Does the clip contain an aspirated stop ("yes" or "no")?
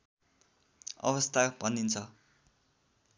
yes